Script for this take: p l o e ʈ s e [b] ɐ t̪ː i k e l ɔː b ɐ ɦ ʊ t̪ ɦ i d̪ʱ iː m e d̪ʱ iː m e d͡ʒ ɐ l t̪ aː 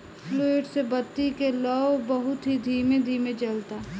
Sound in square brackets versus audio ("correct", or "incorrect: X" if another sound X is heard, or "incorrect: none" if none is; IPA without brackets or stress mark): correct